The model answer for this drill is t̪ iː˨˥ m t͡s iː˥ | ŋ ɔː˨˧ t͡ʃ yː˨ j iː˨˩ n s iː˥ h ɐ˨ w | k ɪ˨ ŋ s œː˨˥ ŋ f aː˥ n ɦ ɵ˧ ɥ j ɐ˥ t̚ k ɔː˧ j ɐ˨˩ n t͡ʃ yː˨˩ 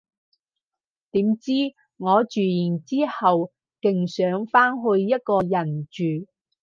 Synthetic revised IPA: t̪ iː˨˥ m t͡s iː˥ | ŋ ɔː˨˧ t͡ʃ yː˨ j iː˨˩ n t͡s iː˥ h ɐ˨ w | k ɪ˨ ŋ s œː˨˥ ŋ f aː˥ n ɦ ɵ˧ ɥ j ɐ˥ t̚ k ɔː˧ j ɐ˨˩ n t͡ʃ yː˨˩